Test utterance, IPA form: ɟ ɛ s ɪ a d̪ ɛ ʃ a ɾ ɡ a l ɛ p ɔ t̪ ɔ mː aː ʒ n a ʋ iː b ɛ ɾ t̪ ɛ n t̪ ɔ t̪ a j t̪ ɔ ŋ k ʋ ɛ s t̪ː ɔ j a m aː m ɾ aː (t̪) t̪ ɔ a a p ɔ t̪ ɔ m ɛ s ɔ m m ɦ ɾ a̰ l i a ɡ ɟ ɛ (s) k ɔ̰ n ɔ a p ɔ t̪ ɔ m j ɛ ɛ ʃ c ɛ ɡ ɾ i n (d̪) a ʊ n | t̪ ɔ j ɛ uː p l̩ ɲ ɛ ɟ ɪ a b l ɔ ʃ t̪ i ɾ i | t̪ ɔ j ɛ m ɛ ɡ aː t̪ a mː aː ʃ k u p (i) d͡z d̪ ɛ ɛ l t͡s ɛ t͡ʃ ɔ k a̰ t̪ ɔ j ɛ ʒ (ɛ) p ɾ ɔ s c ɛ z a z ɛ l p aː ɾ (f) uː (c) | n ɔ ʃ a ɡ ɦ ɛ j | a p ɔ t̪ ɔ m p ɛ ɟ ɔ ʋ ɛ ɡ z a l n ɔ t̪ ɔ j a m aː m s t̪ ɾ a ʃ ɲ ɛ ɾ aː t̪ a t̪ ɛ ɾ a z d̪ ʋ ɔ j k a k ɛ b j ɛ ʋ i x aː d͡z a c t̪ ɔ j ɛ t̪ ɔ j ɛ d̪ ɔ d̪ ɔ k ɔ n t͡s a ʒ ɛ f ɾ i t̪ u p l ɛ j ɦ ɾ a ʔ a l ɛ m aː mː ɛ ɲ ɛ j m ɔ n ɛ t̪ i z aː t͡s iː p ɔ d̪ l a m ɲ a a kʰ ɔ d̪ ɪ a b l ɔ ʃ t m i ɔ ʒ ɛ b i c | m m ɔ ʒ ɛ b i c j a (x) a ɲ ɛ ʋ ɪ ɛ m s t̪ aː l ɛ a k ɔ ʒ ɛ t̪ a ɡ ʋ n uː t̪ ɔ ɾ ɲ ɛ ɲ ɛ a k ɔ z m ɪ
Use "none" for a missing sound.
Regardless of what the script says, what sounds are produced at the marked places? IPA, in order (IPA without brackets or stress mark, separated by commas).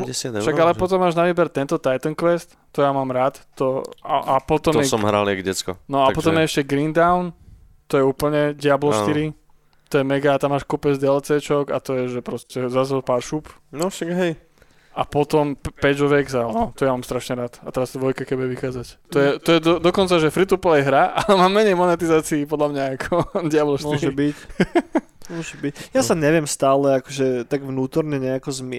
t̪, t͡s, d̪, ɛ, ɛ, ʃ, p, s